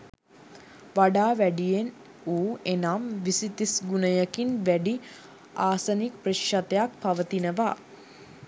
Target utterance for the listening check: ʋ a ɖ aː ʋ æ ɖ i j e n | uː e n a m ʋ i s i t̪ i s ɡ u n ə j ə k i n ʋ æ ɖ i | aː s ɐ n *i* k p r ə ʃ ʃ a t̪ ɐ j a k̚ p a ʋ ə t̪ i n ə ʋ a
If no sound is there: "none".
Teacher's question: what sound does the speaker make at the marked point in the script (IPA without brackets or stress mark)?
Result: i